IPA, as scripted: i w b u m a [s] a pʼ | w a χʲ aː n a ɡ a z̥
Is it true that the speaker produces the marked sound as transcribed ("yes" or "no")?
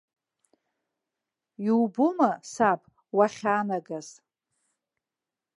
yes